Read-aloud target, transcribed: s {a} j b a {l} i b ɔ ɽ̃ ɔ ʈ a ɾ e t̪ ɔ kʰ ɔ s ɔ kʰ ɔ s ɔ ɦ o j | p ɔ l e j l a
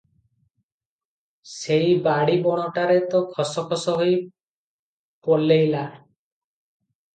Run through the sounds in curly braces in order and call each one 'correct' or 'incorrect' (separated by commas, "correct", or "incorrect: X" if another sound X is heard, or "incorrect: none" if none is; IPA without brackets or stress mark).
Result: incorrect: e, incorrect: ɽ